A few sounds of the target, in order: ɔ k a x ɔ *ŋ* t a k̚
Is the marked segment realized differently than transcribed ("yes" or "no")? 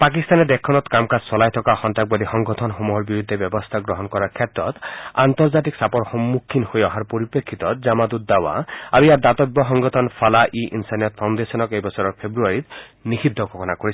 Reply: yes